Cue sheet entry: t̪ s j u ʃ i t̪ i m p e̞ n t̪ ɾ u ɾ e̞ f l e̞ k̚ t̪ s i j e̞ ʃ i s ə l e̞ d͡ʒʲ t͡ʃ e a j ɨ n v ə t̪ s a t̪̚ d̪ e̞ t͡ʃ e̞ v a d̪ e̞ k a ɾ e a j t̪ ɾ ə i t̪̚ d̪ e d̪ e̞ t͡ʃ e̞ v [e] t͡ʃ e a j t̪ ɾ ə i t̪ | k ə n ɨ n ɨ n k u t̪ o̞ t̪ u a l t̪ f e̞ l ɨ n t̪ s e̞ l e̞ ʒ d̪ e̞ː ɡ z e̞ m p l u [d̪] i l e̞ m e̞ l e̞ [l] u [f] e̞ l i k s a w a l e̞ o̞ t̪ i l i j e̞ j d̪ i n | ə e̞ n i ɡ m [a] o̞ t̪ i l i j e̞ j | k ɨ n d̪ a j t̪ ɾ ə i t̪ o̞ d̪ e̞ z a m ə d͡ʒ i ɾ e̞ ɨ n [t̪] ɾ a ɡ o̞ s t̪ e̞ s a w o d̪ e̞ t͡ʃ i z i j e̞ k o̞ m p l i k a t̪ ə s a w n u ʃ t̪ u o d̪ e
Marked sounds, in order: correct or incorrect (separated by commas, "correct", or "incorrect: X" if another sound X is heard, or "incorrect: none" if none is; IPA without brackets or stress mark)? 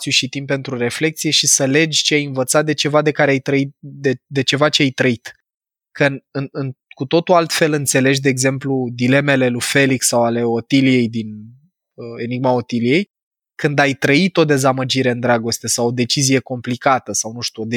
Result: incorrect: a, correct, correct, correct, correct, incorrect: d̪